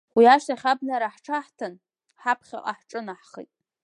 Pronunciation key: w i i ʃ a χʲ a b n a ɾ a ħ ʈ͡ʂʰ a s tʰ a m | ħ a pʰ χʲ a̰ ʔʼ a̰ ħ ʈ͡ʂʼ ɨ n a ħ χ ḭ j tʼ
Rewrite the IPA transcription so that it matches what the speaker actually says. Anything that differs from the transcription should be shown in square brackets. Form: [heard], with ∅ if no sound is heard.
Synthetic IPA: w i [a] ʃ a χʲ a b n a ɾ a ħ ʈ͡ʂʰ a [ħ] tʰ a [n] | ħ a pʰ χʲ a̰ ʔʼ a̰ ħ ʈ͡ʂʼ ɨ n a ħ χ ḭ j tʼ